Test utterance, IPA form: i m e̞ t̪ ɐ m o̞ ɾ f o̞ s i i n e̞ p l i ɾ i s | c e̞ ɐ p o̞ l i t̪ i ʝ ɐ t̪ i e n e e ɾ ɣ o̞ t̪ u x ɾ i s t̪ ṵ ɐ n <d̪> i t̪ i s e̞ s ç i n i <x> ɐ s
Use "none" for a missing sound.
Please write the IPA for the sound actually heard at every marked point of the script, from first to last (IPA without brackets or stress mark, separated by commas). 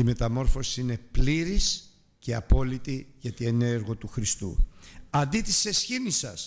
d̪, s